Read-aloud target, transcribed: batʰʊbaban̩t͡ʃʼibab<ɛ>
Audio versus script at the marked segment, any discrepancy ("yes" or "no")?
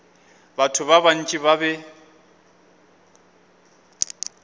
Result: no